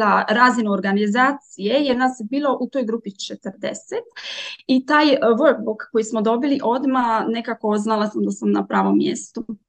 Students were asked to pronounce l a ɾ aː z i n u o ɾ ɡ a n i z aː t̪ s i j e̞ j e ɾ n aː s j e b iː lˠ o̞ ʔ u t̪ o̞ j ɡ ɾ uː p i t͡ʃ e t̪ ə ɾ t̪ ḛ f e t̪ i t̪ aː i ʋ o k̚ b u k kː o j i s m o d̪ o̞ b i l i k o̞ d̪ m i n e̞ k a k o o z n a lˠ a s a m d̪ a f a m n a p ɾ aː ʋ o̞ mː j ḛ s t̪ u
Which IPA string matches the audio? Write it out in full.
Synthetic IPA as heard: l a ɾ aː z i n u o ɾ ɡ a n i z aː t̪ s i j e̞ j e ɾ n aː s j e b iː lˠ o̞ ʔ u t̪ o̞ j ɡ ɾ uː p i t͡ʃ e t̪ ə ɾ d̪ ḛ s e t̪ i t̪ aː j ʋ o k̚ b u k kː o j i s m o d̪ o̞ b i l i ʔ o̞ d̪ m a n e̞ k a k o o z n a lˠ a s a m d̪ a s a m n a p ɾ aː ʋ o̞ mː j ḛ s t̪ u